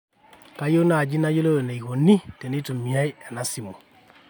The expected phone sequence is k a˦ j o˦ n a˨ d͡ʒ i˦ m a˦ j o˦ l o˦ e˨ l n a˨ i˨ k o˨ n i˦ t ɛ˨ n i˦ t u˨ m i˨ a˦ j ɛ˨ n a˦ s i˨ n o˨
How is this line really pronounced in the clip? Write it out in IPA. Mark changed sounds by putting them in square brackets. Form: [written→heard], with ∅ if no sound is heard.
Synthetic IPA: k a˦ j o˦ n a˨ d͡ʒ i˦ [m→n] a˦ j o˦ l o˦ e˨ [l→∅] n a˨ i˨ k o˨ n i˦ t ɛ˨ n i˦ t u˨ m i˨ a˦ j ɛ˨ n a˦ s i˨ [n→m] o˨